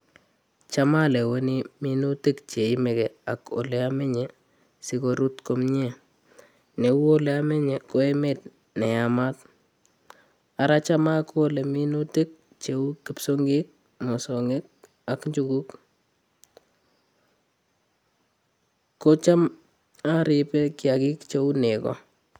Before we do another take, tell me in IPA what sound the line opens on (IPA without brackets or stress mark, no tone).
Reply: t͡ʃ